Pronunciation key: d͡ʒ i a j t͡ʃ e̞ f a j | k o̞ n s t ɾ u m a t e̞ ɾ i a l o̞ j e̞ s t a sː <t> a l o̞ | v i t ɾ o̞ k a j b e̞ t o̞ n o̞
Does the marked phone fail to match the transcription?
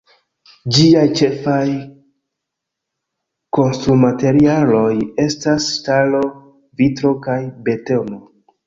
no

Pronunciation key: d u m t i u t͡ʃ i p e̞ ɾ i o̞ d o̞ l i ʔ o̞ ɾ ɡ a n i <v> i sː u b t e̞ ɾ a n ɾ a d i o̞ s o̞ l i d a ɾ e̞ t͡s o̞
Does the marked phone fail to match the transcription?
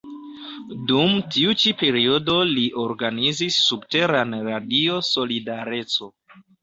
yes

